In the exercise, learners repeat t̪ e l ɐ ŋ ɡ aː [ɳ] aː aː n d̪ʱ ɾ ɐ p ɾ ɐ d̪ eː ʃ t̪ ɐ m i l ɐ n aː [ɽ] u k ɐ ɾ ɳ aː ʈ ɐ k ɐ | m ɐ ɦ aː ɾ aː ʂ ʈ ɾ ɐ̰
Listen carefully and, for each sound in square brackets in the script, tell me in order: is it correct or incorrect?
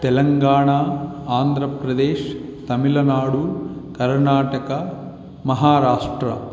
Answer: correct, correct

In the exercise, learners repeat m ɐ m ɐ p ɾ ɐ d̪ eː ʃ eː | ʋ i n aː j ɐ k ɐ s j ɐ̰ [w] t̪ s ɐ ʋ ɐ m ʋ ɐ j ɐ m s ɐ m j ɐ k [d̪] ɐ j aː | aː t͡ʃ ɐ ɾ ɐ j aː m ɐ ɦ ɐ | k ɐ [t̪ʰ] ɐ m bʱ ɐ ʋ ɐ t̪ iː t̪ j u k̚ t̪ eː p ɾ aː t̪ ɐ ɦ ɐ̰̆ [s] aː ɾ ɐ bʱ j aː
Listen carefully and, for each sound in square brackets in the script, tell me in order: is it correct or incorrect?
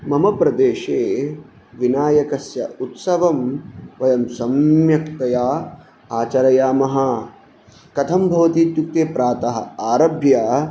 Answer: incorrect, incorrect, correct, incorrect

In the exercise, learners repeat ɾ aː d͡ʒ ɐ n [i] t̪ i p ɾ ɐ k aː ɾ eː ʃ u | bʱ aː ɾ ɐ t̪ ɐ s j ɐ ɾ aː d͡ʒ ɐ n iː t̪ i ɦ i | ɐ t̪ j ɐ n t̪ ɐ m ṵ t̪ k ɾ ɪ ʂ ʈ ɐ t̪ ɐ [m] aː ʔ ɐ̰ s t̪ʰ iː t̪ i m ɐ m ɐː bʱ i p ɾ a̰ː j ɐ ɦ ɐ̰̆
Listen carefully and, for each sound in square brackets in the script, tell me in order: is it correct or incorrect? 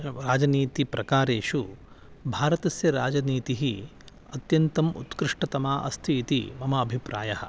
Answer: incorrect, correct

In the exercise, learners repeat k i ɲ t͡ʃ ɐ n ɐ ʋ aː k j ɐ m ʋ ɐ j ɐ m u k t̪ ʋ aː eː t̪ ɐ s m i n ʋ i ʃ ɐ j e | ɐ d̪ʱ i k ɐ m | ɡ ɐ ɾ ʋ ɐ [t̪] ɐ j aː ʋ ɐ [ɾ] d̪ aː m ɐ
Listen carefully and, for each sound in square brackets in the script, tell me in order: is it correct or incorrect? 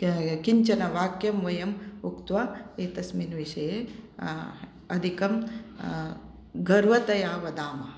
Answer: correct, incorrect

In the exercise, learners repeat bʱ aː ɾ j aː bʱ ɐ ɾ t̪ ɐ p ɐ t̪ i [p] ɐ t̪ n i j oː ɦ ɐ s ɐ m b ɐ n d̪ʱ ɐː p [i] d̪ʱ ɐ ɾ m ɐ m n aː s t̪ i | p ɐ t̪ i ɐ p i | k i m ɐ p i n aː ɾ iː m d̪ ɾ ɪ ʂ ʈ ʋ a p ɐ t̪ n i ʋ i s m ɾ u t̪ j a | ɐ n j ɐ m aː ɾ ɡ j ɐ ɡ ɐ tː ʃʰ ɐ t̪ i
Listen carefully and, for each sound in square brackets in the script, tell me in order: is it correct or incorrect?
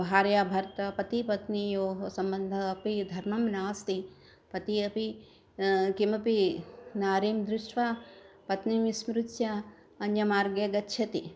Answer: correct, correct

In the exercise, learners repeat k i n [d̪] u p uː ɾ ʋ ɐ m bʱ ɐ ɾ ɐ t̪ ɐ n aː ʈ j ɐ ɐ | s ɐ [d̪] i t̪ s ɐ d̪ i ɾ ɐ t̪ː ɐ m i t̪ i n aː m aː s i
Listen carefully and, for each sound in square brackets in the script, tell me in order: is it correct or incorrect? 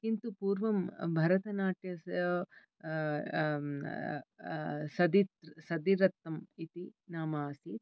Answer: incorrect, correct

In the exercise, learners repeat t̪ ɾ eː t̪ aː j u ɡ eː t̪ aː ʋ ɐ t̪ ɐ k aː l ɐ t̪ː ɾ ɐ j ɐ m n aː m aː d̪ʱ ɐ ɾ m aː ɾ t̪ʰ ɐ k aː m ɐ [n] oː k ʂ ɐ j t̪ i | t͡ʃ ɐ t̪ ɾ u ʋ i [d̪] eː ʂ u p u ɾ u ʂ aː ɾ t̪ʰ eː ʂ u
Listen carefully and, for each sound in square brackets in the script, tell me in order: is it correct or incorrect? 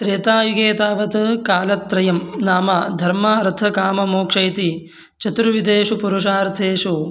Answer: incorrect, correct

